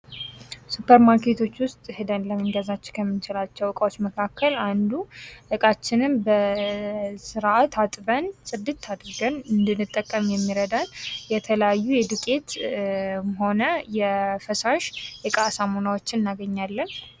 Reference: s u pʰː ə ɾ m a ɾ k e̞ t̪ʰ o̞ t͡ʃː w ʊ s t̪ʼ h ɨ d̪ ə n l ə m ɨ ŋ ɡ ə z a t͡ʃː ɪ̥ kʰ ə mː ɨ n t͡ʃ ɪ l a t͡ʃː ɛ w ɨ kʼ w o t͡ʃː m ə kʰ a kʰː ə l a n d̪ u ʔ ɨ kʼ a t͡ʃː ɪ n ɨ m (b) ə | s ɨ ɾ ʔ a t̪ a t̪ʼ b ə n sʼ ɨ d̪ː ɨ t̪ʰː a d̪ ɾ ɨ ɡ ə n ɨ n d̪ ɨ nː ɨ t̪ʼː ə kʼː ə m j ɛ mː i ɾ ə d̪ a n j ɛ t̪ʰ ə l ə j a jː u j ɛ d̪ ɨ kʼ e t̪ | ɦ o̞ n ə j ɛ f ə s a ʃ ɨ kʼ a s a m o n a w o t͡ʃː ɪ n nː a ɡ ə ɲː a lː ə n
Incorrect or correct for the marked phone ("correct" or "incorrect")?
correct